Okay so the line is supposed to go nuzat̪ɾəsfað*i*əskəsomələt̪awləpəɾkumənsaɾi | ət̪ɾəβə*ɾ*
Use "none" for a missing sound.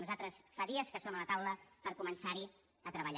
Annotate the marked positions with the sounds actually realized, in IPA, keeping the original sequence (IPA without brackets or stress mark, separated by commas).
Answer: i, ʎ